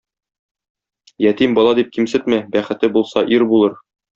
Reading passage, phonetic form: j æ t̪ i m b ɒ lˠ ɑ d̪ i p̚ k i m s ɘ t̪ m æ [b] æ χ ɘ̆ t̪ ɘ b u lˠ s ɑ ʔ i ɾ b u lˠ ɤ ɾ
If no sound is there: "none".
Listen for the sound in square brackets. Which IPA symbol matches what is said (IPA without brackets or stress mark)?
b